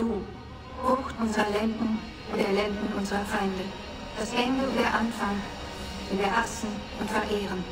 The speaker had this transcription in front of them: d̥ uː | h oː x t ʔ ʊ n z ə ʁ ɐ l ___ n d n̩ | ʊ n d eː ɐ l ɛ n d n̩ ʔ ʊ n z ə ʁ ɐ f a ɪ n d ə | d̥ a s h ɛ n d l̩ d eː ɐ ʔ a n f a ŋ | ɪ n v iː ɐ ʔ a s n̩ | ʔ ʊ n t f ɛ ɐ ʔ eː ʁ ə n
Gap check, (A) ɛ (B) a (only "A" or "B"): A